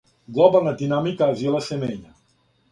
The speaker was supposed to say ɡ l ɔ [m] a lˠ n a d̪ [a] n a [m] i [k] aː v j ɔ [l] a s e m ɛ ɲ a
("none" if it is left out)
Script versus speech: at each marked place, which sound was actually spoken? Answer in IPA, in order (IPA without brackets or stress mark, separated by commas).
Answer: b, i, m, k, l